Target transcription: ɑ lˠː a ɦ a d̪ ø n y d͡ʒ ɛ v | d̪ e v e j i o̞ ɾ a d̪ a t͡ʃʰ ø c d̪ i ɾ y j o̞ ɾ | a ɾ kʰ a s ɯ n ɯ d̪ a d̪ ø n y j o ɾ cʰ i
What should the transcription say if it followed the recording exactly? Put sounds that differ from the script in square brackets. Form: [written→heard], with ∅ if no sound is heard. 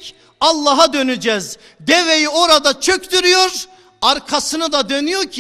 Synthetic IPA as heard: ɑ lˠː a ɦ a d̪ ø n y d͡ʒ ɛ [v→z] | d̪ e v e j i o̞ ɾ a d̪ a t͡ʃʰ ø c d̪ [i→y] ɾ y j o̞ ɾ | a ɾ kʰ a s ɯ n ɯ d̪ a d̪ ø n y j o ɾ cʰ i